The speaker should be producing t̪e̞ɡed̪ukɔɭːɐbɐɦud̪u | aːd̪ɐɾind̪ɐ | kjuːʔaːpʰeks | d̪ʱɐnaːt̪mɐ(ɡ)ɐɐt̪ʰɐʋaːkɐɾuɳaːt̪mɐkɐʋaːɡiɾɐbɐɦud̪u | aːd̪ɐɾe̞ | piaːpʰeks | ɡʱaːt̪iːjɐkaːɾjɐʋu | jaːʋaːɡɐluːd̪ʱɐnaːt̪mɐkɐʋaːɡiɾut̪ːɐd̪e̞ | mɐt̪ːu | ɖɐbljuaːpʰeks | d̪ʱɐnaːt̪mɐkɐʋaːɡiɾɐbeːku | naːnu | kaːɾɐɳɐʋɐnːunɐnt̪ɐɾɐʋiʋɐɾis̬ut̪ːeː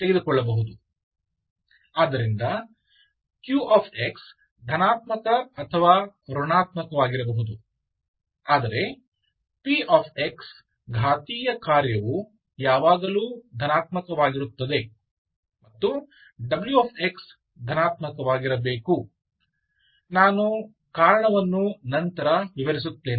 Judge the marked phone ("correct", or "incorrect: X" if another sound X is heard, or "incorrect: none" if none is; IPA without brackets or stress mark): incorrect: k